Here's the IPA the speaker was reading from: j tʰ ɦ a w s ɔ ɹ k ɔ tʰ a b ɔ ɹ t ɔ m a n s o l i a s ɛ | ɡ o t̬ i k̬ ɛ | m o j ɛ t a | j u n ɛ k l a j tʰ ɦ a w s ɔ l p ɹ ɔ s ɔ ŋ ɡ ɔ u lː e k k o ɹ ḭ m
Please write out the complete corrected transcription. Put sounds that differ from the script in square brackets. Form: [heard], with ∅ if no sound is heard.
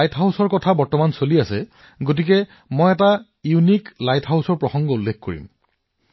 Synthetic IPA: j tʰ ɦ a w s ɔ ɹ k ɔ tʰ a b ɔ ɹ t ɔ m a n s o l i a s ɛ | ɡ o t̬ i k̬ ɛ | m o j ɛ t a | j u n [i] k l a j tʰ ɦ a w s ɔ [ɹ] p ɹ ɔ [x] ɔ ŋ ɡ ɔ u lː e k k o ɹ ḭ m